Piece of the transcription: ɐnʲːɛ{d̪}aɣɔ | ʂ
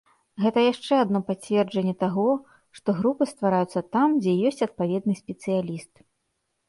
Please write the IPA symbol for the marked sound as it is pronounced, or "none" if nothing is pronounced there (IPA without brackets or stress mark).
t̪